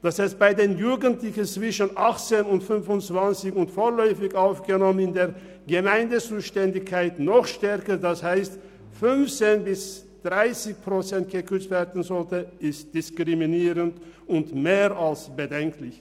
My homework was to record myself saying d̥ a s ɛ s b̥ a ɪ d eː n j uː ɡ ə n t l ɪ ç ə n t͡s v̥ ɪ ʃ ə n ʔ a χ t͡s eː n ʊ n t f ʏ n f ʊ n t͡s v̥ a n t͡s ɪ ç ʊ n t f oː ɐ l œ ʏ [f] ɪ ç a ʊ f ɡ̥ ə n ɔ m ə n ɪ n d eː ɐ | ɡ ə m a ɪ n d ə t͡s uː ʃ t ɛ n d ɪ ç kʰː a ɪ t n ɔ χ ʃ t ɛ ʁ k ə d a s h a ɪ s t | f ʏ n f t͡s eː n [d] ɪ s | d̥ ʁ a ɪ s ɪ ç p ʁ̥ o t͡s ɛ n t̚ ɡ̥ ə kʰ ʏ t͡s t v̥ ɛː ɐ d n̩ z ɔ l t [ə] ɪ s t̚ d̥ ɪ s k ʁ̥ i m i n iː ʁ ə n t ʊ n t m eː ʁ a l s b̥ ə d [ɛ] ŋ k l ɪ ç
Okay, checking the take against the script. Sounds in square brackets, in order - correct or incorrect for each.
correct, incorrect, correct, correct

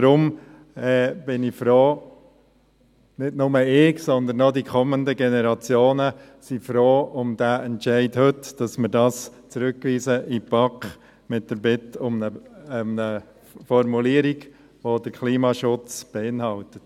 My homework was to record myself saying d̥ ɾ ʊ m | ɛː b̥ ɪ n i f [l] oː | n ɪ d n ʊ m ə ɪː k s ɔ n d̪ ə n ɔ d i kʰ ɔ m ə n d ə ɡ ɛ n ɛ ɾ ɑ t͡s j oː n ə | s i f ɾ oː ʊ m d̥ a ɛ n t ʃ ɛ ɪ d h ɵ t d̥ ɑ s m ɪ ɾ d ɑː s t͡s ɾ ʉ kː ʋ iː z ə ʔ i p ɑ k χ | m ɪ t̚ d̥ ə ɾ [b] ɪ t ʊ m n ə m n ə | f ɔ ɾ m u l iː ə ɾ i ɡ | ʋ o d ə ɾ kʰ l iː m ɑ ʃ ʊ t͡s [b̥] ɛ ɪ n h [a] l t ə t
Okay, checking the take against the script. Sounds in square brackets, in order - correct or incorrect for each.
incorrect, correct, correct, incorrect

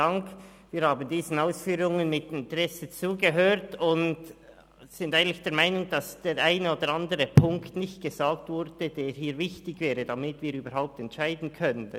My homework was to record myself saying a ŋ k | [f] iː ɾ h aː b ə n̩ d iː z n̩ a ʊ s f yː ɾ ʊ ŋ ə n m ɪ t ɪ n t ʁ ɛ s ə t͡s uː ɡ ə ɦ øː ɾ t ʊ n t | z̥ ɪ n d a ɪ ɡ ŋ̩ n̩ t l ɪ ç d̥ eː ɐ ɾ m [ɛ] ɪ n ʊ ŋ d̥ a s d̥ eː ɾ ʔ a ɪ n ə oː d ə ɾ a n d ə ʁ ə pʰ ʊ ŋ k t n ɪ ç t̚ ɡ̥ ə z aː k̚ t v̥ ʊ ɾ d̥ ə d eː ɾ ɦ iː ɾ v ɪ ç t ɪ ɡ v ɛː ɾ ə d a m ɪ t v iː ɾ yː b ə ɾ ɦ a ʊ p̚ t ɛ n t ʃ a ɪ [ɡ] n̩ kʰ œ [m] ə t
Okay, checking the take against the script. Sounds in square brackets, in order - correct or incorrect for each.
incorrect, incorrect, incorrect, incorrect

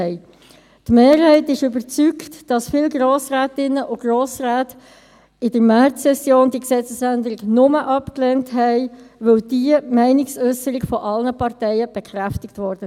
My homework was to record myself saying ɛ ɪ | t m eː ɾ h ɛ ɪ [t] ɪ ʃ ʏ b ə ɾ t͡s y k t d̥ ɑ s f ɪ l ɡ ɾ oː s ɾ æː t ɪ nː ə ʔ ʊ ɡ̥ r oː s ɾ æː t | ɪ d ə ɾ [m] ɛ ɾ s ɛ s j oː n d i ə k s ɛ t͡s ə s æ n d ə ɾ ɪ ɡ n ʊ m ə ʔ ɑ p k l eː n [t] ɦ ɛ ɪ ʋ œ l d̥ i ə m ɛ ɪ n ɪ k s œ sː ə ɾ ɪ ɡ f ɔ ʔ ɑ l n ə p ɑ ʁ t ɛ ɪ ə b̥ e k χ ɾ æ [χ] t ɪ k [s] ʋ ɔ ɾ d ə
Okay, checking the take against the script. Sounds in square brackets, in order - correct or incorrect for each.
correct, correct, correct, incorrect, incorrect

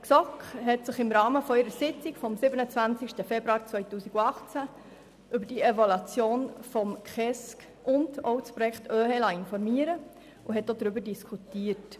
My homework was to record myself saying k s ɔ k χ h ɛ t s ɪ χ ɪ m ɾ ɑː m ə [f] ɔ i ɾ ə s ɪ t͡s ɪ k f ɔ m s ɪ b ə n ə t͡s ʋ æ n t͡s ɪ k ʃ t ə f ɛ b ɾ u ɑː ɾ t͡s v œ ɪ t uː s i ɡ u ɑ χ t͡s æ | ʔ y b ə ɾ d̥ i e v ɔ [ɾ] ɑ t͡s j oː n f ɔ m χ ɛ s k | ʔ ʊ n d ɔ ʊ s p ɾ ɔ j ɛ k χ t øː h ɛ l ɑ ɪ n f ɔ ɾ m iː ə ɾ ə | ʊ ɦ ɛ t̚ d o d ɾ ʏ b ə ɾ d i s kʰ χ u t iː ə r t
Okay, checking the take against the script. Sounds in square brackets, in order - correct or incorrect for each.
correct, incorrect

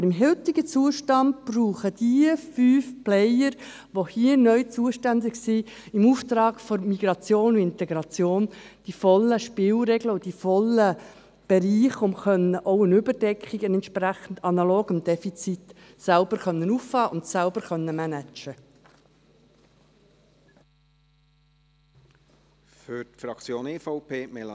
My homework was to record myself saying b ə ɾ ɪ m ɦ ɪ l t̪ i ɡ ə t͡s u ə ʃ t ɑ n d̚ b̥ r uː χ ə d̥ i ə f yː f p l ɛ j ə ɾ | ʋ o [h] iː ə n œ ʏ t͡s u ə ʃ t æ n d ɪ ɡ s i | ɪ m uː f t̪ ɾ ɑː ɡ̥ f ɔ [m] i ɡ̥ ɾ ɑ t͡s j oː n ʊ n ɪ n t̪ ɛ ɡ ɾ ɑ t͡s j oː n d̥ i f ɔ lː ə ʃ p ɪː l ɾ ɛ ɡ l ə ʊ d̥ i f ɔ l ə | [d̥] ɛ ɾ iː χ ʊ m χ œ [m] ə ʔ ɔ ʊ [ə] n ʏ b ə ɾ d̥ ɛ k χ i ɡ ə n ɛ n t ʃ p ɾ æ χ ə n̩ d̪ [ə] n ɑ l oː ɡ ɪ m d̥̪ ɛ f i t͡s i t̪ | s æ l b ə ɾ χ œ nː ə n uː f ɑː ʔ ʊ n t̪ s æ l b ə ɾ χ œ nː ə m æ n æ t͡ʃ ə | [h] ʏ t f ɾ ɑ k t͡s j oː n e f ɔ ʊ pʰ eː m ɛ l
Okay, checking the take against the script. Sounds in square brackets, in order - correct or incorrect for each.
correct, correct, incorrect, incorrect, correct, incorrect, incorrect

